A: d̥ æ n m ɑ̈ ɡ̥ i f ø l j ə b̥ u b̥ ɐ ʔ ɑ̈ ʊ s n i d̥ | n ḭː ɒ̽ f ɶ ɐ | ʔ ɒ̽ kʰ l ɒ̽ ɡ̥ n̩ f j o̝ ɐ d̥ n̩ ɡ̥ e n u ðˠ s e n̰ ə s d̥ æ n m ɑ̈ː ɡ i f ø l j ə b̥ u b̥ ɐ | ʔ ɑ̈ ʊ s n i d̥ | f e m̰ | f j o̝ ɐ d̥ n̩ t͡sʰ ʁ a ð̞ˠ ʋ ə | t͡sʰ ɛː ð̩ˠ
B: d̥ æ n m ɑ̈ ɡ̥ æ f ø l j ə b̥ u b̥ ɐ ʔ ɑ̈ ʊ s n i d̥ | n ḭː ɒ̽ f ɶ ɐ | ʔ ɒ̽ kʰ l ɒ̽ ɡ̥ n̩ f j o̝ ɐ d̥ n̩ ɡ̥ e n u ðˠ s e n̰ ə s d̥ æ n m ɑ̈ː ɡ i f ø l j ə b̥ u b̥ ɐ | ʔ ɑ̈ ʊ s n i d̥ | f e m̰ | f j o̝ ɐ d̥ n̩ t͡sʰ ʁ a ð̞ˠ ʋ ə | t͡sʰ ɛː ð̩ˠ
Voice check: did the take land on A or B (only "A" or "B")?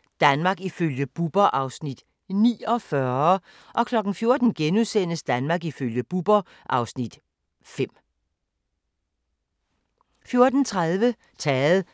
A